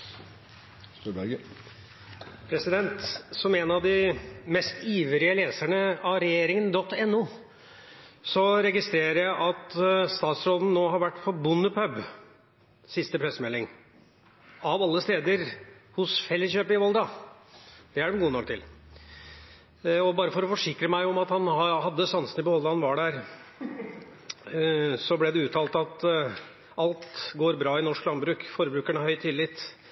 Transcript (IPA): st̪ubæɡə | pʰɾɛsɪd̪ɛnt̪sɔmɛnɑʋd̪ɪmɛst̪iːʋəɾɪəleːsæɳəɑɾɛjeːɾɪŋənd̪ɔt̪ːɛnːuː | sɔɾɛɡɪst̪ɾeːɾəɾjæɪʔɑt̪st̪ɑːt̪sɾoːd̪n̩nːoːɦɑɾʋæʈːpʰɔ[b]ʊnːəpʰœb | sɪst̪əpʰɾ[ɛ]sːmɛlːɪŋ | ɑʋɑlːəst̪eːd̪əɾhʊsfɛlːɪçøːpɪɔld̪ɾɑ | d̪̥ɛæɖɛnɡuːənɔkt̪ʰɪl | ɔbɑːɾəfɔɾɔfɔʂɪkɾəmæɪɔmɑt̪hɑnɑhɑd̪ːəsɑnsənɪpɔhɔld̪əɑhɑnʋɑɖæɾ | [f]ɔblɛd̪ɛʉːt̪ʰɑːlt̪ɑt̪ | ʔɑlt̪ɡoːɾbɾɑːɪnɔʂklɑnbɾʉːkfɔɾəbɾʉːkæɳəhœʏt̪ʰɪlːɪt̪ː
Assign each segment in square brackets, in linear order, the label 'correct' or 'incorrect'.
correct, correct, incorrect: s

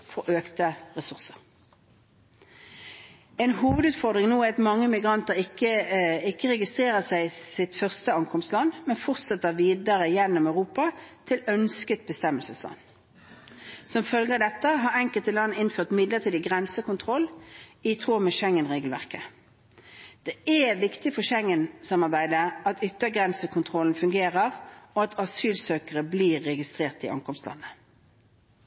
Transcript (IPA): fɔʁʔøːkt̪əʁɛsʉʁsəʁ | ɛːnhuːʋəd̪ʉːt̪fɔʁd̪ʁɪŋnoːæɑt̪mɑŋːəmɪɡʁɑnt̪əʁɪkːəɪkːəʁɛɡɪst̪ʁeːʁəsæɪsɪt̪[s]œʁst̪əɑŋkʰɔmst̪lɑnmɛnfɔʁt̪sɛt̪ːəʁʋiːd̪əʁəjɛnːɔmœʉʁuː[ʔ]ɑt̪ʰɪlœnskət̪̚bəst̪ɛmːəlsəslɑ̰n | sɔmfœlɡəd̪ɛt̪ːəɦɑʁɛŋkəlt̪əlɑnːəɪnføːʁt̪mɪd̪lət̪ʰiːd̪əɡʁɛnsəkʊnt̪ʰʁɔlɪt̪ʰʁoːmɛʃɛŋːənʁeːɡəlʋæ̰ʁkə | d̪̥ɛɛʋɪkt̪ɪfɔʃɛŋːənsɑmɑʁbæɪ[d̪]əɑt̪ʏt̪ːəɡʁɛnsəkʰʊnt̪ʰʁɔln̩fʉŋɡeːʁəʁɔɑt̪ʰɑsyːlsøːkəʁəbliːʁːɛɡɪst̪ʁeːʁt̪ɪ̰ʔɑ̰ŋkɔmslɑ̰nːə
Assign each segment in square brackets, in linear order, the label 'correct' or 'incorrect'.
incorrect: f, incorrect: p, correct

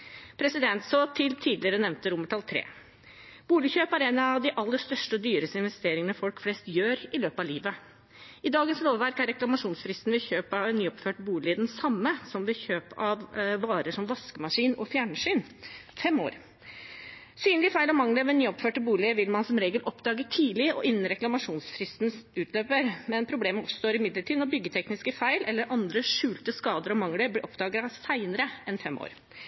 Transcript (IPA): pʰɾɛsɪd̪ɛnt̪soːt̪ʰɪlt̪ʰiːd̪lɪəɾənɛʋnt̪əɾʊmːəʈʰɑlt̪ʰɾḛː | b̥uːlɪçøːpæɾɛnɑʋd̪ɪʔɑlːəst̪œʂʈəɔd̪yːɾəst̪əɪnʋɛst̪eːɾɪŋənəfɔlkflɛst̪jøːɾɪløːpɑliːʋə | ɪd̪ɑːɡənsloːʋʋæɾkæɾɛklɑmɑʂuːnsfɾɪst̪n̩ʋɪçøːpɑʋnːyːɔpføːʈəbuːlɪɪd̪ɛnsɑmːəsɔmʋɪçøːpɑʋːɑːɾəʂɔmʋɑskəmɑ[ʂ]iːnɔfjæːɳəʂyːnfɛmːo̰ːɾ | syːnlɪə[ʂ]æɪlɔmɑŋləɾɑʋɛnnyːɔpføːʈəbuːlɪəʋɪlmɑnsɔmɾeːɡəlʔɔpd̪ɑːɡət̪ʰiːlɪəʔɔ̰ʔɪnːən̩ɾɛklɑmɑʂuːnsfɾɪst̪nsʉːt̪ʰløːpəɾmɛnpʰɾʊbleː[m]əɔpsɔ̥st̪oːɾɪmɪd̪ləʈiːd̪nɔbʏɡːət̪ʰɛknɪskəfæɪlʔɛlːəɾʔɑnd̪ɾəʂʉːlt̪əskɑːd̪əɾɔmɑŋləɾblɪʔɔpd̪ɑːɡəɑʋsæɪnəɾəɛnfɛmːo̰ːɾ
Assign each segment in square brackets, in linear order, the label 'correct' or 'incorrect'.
correct, incorrect: f, correct

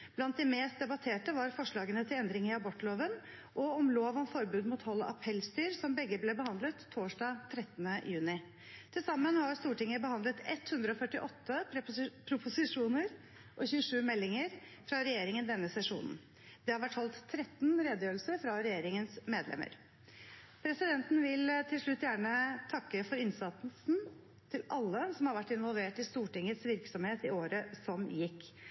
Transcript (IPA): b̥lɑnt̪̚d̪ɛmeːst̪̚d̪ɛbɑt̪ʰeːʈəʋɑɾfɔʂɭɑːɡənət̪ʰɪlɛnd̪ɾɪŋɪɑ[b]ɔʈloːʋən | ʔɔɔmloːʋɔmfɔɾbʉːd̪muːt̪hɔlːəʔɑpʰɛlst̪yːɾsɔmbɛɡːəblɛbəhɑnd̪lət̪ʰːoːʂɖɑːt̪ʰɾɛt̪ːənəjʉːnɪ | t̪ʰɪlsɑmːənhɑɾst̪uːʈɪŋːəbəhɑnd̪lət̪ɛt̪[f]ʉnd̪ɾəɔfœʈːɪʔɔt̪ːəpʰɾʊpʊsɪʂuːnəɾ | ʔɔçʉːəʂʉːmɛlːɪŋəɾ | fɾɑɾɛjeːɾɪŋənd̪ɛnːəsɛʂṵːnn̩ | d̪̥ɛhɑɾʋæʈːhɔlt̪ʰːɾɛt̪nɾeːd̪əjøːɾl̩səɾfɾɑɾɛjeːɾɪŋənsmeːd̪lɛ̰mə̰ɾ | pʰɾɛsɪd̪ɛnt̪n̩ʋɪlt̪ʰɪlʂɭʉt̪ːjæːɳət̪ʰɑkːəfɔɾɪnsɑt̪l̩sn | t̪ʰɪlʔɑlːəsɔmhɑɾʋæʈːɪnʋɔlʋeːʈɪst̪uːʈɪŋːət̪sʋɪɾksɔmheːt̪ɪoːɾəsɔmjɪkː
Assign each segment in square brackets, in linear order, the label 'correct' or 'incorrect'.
correct, incorrect: h

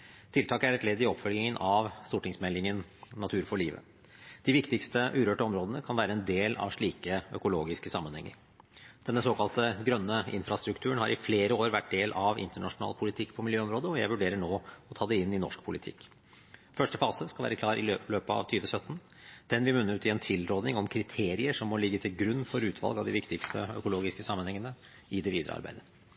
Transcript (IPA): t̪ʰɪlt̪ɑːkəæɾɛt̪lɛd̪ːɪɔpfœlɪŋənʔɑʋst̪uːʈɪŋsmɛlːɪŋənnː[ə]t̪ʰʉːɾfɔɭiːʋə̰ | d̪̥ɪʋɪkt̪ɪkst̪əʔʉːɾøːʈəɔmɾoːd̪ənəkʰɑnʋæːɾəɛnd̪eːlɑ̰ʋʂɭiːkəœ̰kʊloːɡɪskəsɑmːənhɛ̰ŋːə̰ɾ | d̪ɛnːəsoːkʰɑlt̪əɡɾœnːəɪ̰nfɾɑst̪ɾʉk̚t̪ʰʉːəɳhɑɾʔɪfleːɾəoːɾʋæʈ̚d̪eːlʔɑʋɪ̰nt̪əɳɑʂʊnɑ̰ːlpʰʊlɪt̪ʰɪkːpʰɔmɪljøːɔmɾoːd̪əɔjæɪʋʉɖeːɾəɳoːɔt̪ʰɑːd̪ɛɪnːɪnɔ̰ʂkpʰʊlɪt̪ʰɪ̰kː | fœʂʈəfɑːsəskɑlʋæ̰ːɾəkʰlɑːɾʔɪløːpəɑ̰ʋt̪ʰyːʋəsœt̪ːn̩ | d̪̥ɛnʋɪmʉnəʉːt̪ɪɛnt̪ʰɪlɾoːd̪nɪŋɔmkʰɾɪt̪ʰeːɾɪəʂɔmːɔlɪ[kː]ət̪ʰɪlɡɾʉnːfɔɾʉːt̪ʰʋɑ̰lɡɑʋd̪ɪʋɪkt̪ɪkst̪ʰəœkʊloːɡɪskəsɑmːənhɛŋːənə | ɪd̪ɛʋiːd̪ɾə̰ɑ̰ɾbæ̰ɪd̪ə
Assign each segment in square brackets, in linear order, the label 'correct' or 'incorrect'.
incorrect: ɑ, incorrect: ɡː

